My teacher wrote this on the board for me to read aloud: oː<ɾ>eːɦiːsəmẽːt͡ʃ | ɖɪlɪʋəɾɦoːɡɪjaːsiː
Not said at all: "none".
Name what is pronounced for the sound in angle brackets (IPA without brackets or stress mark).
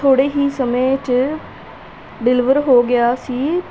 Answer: ɽ